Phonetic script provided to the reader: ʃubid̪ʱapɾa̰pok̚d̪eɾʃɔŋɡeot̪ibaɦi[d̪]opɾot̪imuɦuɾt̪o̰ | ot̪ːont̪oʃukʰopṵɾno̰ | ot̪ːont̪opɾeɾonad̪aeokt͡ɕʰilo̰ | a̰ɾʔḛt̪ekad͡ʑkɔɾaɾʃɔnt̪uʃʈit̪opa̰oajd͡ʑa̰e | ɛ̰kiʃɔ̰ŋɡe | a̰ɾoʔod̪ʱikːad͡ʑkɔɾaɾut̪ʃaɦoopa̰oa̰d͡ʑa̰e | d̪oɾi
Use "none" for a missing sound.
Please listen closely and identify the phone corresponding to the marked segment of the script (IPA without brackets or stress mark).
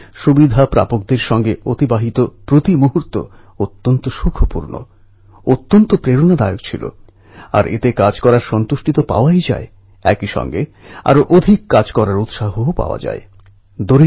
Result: t̪